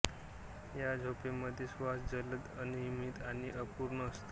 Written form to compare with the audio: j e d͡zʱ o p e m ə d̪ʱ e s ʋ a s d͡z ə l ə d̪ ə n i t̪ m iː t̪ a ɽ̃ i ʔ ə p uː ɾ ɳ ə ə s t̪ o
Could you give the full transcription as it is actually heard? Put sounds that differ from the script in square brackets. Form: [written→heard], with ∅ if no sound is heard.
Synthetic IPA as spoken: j [e→a] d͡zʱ o p e m ə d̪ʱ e s ʋ a s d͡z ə l ə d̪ ə n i [t̪→∅] m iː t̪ a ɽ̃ i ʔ ə p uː ɾ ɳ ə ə s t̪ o